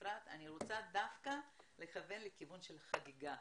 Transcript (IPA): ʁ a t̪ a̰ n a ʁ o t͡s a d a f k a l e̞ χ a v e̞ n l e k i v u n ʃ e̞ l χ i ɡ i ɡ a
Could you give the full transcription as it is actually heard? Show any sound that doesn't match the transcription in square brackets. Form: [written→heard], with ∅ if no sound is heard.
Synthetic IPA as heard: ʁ a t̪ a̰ n [a→i] ʁ o t͡s a d a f k a l e̞ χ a v e̞ n l e k i v u n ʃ e̞ l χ [i→a] ɡ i ɡ a